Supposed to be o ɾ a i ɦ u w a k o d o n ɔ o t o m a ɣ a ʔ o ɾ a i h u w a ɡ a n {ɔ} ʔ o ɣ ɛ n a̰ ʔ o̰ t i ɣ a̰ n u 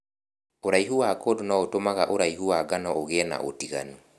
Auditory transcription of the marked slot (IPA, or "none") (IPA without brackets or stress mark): ɔ